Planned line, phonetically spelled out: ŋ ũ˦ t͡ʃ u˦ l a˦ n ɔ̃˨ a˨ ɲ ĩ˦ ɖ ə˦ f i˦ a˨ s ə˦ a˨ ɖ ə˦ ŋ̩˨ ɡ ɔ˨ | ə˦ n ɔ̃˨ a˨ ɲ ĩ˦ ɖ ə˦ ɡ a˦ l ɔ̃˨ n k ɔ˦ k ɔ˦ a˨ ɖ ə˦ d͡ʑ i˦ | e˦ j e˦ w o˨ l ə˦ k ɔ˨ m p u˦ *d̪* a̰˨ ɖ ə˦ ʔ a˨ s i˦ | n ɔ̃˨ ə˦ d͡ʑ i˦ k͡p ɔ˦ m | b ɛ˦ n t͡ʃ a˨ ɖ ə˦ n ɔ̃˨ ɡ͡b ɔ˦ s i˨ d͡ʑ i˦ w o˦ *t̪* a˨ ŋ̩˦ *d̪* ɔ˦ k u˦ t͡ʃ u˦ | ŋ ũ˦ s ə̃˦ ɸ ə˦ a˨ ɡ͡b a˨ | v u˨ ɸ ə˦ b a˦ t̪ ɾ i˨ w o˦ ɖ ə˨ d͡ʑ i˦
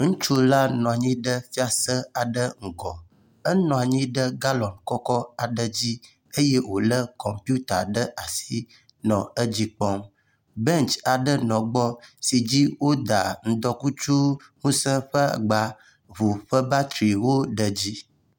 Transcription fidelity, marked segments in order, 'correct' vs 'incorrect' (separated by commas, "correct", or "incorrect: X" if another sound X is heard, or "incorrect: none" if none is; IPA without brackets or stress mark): incorrect: t̪, incorrect: d̪, correct